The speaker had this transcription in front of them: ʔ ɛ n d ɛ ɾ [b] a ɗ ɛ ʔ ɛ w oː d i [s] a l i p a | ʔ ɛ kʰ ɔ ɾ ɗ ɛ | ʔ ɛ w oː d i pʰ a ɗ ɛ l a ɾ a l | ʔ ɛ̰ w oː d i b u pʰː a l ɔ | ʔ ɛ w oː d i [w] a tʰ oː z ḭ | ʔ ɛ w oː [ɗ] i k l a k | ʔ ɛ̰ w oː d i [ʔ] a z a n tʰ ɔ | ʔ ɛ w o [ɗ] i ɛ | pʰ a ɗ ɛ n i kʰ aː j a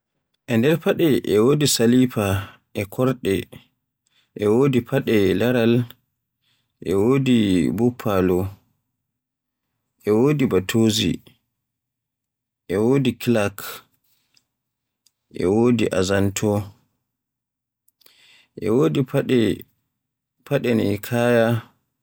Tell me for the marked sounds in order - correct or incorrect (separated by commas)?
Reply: incorrect, correct, incorrect, incorrect, correct, incorrect